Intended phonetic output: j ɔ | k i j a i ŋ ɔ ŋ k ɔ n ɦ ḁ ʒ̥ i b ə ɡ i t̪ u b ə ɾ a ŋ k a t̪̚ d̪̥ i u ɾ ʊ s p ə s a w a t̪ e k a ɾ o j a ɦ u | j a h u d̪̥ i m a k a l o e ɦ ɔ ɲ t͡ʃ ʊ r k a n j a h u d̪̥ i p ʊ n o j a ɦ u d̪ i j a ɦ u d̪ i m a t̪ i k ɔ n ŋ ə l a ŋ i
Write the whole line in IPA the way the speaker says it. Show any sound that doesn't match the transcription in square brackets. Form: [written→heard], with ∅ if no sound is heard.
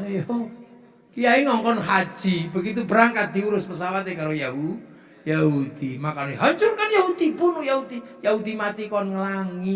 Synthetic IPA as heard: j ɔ | k i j a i ŋ ɔ ŋ k ɔ n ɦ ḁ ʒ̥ i b ə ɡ i t̪ u b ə ɾ a ŋ k a t̪̚ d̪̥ i u ɾ ʊ s p ə s a w a t̪ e k a ɾ o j a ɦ u | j a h u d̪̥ i m a k a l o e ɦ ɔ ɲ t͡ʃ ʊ r k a n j a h u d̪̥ i p ʊ n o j a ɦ u d̪ i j a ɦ u d̪ i m a t̪ i k ɔ n ŋ ə l a ŋ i